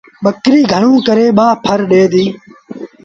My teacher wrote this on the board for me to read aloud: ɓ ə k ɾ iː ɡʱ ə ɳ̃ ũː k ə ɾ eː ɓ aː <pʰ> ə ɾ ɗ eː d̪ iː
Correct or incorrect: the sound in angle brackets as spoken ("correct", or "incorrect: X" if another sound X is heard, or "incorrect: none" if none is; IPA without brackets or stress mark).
correct